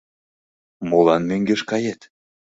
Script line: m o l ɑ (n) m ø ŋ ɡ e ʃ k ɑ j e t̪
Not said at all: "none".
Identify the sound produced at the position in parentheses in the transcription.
n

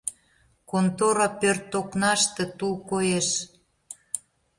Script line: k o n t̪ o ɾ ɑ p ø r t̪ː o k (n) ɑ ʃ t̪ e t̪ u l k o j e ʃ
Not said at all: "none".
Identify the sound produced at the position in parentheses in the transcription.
n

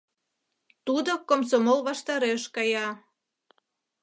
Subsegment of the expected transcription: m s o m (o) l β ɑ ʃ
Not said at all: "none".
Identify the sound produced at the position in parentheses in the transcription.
o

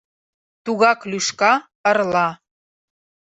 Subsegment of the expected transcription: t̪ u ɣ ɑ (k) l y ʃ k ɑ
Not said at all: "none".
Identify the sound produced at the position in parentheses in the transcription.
k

